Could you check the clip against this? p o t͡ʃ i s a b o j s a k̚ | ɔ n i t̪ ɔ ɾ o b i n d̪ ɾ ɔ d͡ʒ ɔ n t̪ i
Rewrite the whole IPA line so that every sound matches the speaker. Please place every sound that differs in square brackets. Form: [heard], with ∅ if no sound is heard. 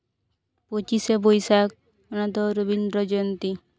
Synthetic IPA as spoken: p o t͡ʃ i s [e] b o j s a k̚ | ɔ n [a] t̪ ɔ ɾ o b i n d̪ ɾ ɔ d͡ʒ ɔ n t̪ i